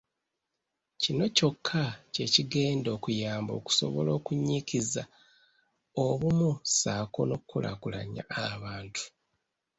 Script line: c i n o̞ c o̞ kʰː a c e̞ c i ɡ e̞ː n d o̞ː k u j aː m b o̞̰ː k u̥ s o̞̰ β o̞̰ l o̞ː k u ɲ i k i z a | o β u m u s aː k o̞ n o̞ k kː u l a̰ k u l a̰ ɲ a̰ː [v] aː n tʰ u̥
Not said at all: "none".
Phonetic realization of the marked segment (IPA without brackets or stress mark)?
β